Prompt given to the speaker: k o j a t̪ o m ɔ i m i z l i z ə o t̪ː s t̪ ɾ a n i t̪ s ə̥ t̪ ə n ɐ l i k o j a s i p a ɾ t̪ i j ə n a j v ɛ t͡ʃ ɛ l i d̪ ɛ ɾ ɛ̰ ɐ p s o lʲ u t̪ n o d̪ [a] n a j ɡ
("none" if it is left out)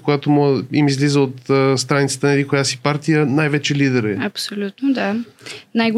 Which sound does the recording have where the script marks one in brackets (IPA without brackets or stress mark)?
a